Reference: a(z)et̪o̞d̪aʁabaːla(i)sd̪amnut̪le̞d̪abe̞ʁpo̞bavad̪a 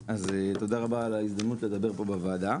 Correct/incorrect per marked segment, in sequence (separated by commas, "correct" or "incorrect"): correct, correct